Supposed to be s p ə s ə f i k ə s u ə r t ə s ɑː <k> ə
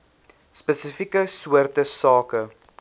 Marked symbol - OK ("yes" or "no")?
yes